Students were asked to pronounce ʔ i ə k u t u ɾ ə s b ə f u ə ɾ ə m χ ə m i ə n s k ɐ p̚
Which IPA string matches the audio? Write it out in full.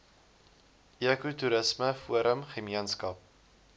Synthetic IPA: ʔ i ə k u t u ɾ ə s m ə f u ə ɾ ə m χ ə m i ə n s k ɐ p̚